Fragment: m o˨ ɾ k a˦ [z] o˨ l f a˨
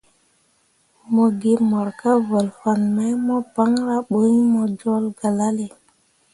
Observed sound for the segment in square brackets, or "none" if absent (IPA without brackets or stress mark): v